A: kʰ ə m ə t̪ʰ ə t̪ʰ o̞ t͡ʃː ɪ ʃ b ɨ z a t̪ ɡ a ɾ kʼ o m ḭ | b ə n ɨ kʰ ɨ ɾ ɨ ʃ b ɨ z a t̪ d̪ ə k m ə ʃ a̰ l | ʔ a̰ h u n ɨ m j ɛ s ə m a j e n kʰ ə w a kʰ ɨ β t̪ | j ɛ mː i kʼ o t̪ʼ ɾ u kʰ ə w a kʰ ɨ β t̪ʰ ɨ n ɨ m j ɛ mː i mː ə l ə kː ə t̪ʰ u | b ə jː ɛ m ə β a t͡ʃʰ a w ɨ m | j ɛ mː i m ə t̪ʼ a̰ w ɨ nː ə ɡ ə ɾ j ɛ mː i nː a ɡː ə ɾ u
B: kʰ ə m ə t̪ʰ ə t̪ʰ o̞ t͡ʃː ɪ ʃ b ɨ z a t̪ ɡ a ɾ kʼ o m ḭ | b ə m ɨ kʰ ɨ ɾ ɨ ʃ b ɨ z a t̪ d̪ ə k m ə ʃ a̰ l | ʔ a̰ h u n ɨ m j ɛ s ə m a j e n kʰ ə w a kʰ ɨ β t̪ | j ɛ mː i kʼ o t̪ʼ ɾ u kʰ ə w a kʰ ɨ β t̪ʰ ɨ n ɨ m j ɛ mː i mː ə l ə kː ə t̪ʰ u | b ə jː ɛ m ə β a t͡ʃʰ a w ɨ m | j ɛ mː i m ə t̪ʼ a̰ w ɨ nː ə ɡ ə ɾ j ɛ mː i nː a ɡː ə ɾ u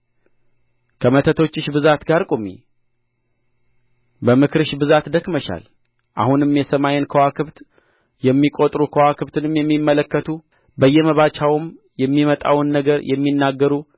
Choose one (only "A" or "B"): B